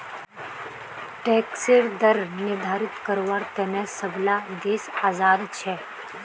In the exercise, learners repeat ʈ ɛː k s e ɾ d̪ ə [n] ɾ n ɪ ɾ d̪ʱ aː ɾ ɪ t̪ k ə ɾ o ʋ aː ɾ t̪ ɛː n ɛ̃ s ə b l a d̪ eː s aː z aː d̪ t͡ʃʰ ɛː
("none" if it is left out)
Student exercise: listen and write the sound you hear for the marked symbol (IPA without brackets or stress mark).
none